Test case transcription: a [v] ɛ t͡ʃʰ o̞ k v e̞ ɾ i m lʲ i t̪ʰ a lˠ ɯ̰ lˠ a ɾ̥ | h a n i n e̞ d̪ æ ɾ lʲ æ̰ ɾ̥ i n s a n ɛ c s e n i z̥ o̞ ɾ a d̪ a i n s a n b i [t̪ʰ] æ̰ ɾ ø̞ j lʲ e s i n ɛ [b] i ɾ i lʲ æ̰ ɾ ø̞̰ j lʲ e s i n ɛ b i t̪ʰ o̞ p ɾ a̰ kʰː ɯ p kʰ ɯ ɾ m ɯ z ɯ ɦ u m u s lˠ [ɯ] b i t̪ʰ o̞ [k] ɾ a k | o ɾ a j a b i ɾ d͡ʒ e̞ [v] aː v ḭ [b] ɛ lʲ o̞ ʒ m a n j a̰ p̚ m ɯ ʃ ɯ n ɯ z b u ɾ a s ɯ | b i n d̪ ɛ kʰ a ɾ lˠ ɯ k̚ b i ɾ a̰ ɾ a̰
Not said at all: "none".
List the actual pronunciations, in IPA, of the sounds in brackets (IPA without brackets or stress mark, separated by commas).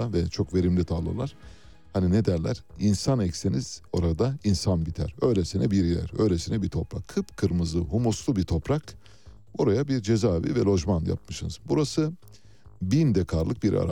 v, t̪ʰ, b, u, p, z, v